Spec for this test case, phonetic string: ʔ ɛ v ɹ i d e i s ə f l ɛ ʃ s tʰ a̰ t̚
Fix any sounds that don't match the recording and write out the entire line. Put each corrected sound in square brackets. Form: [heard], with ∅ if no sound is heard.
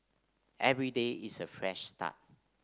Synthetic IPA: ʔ ɛ v ɹ i d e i s ə f [ɹ] ɛ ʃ s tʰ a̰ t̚